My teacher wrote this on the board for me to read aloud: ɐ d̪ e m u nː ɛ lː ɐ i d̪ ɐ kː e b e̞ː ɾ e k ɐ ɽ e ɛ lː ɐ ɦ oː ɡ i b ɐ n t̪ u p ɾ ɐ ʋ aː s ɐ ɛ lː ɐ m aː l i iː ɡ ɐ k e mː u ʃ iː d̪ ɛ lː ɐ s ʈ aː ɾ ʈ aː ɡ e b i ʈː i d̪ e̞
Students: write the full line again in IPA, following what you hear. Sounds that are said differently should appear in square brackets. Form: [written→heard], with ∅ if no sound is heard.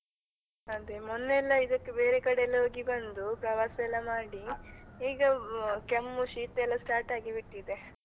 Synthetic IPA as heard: ɐ d̪ e m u nː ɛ lː ɐ i d̪ ɐ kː e b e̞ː ɾ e k ɐ ɽ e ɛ lː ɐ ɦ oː ɡ i b ɐ n [t̪→d̪] u p ɾ ɐ ʋ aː s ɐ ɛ lː ɐ m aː [l→ɽ] i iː ɡ ɐ k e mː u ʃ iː [d̪→t̪] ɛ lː ɐ s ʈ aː ɾ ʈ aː ɡ [e→i] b i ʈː i d̪ e̞

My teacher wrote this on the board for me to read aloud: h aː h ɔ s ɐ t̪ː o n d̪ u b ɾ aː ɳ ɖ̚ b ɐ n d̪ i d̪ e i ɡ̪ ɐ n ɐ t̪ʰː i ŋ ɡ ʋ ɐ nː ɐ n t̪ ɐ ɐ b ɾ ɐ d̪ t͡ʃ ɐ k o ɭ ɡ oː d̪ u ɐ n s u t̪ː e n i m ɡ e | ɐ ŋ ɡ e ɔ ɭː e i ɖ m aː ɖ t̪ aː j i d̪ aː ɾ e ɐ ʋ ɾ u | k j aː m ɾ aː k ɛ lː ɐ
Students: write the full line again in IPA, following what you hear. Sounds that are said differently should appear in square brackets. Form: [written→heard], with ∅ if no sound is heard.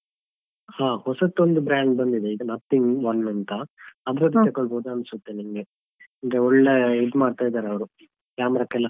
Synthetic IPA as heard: h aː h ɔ s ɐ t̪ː o n d̪ u b ɾ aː ɳ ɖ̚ b ɐ n d̪ i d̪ e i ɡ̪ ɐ n ɐ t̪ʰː i ŋ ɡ ʋ ɐ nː ɐ n t̪ ɐ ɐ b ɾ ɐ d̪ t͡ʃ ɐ k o ɭ [ɡ→b] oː d̪ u ɐ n s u t̪ː e n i m ɡ e | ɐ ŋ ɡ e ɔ ɭː e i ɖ m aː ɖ t̪ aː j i d̪ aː ɾ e ɐ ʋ ɾ u | k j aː m ɾ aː k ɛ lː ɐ

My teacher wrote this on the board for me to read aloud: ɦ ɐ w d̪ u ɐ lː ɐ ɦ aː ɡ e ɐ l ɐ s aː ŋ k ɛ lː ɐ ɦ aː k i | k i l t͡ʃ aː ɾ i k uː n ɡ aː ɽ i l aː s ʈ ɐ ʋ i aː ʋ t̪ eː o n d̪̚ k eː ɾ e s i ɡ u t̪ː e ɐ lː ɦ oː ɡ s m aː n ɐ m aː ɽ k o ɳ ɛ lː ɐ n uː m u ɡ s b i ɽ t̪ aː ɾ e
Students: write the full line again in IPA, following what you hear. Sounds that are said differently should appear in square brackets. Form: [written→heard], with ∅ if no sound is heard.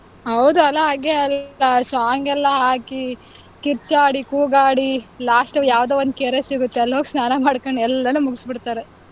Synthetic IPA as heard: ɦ ɐ w d̪ u ɐ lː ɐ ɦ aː ɡ e ɐ l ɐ s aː ŋ [k→ɡ] ɛ lː ɐ ɦ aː k i | k i [l→ɾ] t͡ʃ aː [ɾ→ɽ] i k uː [n→∅] ɡ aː ɽ i l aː s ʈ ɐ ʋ [i→j] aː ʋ [t̪→d̪] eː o n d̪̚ k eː ɾ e s i ɡ u t̪ː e ɐ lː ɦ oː ɡ s [m→n] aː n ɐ m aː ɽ k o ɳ ɛ lː ɐ n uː m u ɡ s b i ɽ t̪ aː ɾ e

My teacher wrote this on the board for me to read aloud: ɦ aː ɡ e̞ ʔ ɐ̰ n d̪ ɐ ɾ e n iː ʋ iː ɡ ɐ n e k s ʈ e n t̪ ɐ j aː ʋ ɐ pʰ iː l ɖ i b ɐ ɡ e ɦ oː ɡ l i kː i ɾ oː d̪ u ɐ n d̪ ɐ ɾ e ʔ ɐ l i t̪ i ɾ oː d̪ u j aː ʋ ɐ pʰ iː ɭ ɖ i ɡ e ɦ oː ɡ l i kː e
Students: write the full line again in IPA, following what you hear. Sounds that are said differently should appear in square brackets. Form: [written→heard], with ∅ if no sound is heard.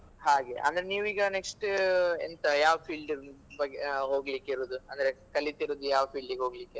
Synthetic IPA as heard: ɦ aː ɡ e̞ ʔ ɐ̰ n d̪ ɐ ɾ e n iː ʋ iː ɡ ɐ n e k s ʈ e n t̪ ɐ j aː ʋ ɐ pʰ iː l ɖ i b ɐ ɡ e ɦ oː ɡ l i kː i ɾ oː d̪ u ɐ n d̪ ɐ ɾ e [ʔ→k] ɐ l i t̪ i ɾ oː d̪ u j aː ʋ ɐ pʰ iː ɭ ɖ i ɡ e ɦ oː ɡ l i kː e

